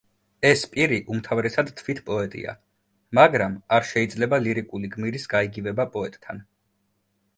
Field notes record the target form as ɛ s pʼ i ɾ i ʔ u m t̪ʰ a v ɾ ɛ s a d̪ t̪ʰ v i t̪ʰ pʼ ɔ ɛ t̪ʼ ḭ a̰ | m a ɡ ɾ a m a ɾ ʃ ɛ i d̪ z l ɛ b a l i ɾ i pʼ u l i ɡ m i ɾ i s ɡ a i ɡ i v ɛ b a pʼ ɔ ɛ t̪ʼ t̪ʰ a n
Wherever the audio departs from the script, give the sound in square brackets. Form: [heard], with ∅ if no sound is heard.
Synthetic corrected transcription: ɛ s pʼ i ɾ i ʔ u m t̪ʰ a v ɾ ɛ s a d̪ t̪ʰ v i t̪ʰ pʼ ɔ ɛ t̪ʼ ḭ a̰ | m a ɡ ɾ a m a ɾ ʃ ɛ i d̪ z l ɛ b a l i ɾ i [kʼ] u l i ɡ m i ɾ i s ɡ a i ɡ i v ɛ b a pʼ ɔ ɛ t̪ʼ t̪ʰ a n